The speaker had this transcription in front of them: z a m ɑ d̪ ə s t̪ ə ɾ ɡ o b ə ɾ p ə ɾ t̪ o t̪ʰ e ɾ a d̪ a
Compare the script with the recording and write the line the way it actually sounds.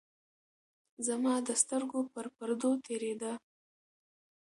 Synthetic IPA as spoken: z a m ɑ d̪ ə s t̪ ə ɾ ɡ o p ə ɾ p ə ɾ d̪ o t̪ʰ e ɾ e d̪ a